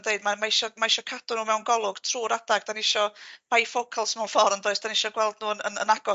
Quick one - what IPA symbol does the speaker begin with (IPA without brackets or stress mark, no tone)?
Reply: d